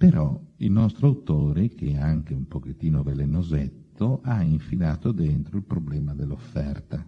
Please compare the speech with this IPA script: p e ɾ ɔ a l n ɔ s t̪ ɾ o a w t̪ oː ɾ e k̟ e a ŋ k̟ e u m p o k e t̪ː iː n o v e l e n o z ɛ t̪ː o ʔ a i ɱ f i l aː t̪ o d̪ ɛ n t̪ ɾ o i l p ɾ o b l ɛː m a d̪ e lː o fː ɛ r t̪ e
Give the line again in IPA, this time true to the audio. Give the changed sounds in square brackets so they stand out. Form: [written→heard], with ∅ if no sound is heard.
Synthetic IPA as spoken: p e ɾ ɔ [a→i] l n ɔ s t̪ ɾ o a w t̪ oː ɾ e k̟ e a ŋ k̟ e u m p o k e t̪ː iː n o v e l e n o z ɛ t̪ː o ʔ a i ɱ f i l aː t̪ o d̪ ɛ n t̪ ɾ o i l p ɾ o b l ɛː m a d̪ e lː o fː ɛ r t̪ [e→a]